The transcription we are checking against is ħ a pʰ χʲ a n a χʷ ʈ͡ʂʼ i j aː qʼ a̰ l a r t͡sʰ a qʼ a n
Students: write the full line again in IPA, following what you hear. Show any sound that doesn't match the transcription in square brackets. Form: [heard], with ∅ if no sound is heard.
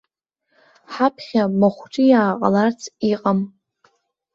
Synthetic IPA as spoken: ħ a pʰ χʲ a [m] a χʷ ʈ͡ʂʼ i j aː qʼ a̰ l a r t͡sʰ [i] qʼ a [m]